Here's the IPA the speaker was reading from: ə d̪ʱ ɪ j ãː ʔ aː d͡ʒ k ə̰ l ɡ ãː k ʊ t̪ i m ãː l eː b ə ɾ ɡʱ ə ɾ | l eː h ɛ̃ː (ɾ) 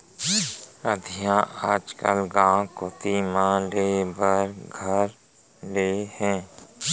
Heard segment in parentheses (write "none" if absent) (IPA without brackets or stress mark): none